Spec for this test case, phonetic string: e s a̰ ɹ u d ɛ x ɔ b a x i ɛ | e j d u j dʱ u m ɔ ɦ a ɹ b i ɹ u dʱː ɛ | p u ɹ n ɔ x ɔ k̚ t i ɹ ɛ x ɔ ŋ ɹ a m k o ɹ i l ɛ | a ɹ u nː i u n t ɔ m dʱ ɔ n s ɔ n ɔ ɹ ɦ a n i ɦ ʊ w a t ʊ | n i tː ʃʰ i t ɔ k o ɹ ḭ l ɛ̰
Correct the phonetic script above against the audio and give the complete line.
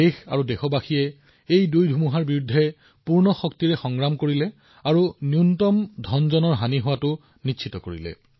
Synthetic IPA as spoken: e x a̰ ɹ u d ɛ x ɔ b a x i ɛ | e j d u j dʱ u m u ɦ a ɹ b i ɹ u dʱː ɛ | p u ɹ n ɔ x ɔ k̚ t i ɹ ɛ x ɔ ŋ ɹ a m k o ɹ i l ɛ | a ɹ u n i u n t ɔ m dʱ ɔ n z ɔ n ɔ ɹ ɦ a n i ɦ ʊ w a t ʊ | n i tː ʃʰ i t ɔ k o ɹ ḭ l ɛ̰